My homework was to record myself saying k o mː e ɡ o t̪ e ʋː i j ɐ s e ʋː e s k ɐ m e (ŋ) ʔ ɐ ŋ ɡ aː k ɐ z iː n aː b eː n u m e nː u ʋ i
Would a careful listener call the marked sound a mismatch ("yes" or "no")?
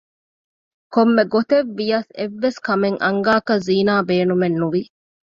no